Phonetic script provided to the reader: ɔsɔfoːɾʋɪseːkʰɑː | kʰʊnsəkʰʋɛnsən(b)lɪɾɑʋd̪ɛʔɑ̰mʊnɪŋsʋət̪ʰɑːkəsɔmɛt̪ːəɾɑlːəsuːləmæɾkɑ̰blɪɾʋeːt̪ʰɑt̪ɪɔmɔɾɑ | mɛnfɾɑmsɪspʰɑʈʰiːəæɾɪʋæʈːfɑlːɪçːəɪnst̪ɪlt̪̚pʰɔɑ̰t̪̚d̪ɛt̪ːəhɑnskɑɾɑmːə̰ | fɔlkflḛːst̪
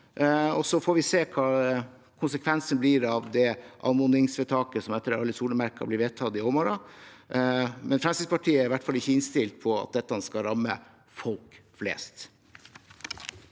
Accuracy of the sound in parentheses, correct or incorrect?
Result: correct